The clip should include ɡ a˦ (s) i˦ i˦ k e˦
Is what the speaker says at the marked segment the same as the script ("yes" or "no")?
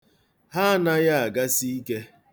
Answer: yes